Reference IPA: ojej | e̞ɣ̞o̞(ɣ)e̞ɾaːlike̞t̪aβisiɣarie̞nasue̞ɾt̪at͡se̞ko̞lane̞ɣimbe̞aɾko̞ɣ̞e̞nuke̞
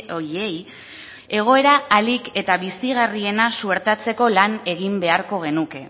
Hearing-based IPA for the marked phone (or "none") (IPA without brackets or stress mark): none